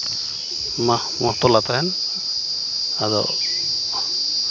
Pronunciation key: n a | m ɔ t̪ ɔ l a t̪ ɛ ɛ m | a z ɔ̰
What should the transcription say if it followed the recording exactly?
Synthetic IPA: m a | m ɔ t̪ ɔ l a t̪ a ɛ n | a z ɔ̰

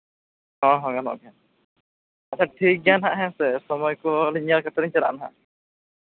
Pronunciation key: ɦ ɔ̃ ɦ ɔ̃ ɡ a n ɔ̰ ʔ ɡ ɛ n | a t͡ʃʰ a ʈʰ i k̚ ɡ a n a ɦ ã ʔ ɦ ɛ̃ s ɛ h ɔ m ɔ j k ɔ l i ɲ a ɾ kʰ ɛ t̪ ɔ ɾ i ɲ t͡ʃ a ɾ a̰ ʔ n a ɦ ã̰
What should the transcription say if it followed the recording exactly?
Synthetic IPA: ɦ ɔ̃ ɦ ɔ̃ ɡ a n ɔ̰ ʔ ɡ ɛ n | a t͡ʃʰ a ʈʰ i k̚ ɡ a n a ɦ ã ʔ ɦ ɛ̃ s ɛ s ɔ m ɔ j k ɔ l i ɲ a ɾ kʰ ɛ t̪ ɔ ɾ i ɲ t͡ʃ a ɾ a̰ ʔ n a ɦ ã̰

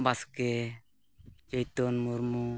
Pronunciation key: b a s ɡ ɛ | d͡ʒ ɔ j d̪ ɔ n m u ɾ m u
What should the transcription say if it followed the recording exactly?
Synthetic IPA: b a s k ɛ | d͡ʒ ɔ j t̪ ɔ n m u ɾ m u

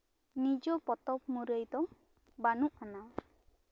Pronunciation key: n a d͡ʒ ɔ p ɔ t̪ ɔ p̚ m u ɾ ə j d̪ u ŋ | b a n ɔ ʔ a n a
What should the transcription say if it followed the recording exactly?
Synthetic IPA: n i d͡ʒ ɔ p ɔ t̪ ɔ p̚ m u ɾ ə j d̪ ɔ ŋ | b a n u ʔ a n a

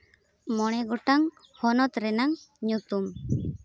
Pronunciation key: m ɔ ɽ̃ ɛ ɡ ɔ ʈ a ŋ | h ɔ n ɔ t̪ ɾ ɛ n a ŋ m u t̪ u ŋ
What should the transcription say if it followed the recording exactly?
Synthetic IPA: m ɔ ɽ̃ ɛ ɡ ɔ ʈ a ŋ | h ɔ n ɔ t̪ ɾ ɛ n a ŋ ɲ u t̪ u m

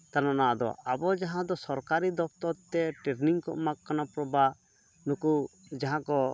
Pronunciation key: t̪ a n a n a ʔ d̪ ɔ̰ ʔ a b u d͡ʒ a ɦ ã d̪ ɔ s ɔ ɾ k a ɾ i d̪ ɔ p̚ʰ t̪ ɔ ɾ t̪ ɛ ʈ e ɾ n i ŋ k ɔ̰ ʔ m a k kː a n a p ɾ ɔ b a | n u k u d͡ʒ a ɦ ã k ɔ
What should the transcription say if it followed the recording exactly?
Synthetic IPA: t̪ a n a n a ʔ d̪ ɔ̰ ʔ a b ɔ d͡ʒ a ɦ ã d̪ ɔ s ɔ ɾ k a ɾ i d̪ ɔ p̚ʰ t̪ ɔ ɾ t̪ ɛ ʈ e ɾ n i ŋ k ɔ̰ ʔ m a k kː a n a p ɾ ɔ b a | n u k u d͡ʒ a ɦ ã k ɔ

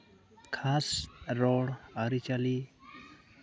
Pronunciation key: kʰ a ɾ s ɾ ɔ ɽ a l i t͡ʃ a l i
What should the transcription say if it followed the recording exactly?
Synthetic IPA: kʰ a s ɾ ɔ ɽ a ɾ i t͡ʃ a l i

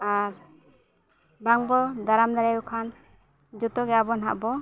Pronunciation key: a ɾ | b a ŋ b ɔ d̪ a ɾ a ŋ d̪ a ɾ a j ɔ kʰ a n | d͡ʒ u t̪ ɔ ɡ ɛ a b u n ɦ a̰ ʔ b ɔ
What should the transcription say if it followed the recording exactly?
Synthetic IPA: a ɾ | b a ŋ b ɔ d̪ a ɾ a m d̪ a ɾ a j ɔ kʰ a n | d͡ʒ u t̪ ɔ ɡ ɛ a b ɔ n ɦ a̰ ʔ b ɔ

